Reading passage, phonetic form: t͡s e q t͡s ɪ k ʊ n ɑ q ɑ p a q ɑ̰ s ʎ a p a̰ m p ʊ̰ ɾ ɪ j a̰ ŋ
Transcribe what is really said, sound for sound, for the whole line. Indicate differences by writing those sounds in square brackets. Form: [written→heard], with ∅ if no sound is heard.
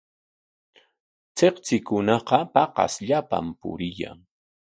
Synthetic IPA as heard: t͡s e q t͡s ɪ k ʊ n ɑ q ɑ p [a→ɑ] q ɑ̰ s ʎ a p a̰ m p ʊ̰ ɾ ɪ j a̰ ŋ